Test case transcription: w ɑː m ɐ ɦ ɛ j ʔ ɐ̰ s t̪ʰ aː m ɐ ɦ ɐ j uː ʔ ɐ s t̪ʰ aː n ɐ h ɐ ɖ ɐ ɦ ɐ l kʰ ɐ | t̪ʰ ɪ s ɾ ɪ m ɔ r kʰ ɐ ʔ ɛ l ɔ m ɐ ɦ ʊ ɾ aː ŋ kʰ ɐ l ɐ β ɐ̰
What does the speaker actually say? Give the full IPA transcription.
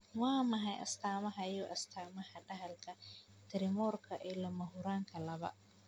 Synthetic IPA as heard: w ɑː m ɐ ɦ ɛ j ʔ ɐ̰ s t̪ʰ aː m ɐ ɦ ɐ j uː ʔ ɐ s t̪ʰ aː m ɐ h ɐ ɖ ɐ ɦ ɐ l kʰ ɐ | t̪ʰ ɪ ɾ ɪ m ɔ r kʰ ɐ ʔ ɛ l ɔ m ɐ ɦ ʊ ɾ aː ŋ kʰ ɐ l ɐ β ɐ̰